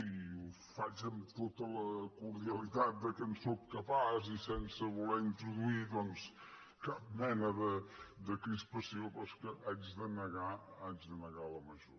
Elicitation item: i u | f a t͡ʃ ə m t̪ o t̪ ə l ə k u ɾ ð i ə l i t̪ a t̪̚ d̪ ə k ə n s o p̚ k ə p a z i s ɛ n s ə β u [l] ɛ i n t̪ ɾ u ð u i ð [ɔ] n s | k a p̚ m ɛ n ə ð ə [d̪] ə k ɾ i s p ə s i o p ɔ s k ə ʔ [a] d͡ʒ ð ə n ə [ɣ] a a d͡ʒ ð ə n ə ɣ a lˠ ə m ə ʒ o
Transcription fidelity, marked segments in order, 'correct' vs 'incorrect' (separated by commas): correct, correct, correct, correct, correct